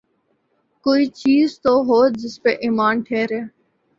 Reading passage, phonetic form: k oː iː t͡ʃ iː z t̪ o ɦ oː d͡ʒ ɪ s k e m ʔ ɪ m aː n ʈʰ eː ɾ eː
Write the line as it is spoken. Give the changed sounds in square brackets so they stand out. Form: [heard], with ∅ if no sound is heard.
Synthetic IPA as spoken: k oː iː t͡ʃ iː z t̪ o ɦ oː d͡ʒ ɪ s [p] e [∅] ʔ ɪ m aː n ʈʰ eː ɾ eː